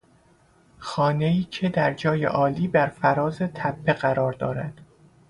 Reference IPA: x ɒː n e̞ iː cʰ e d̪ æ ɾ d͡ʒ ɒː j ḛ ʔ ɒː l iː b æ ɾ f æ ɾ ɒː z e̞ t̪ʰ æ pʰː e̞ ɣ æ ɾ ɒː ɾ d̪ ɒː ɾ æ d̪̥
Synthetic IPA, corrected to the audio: x ɒː n e̞ iː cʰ e d̪ æ ɾ d͡ʒ ɒː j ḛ ʔ ɒː l iː b æ ɾ f æ ɾ ɒː z e̞ t̪ʰ æ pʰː e̞ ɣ æ ɾ ɒː ɾ d̪ ɒː ɾ æ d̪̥